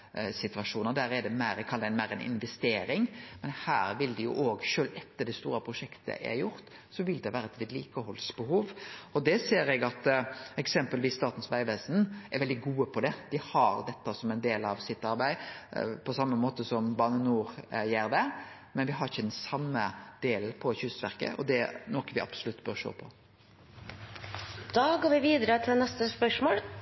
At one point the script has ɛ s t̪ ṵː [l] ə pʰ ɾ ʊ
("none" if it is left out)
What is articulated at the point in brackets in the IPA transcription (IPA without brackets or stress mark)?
ɾ